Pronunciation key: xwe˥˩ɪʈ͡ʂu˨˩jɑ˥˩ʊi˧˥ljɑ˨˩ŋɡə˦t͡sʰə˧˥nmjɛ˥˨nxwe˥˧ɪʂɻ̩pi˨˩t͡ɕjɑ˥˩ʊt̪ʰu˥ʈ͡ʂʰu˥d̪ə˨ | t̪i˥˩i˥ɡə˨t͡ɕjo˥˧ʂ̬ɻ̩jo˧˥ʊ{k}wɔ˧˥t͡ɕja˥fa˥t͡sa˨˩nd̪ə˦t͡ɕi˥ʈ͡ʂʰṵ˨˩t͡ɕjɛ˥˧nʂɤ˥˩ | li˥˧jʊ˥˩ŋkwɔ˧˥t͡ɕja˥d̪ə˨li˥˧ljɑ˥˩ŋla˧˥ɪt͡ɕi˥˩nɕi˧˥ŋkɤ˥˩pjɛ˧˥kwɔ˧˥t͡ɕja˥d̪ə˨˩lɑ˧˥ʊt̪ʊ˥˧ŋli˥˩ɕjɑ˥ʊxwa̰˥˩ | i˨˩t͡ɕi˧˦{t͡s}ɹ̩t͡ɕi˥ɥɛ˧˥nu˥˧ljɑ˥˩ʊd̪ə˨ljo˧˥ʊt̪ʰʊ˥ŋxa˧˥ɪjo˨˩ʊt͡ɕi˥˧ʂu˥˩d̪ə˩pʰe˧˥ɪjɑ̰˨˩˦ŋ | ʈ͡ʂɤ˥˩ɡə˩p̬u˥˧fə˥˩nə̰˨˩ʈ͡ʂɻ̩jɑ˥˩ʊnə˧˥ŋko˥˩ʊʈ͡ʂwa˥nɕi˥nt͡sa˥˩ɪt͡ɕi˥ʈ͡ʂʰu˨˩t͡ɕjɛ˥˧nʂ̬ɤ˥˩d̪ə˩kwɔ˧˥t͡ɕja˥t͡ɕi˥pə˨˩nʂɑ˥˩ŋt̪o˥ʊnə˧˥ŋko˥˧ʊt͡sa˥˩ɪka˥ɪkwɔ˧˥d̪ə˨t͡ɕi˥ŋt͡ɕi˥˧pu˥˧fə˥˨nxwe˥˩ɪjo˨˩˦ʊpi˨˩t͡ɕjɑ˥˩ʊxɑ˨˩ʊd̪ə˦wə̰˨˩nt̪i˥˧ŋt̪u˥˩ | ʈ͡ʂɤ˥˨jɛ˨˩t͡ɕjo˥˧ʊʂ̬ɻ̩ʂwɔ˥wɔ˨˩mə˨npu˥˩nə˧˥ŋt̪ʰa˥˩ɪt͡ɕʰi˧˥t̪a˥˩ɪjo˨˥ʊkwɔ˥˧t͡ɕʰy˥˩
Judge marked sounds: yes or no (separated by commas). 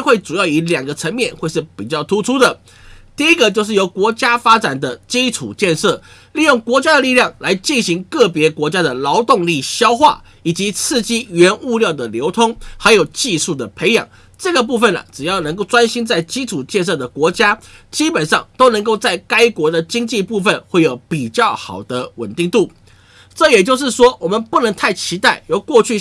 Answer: yes, no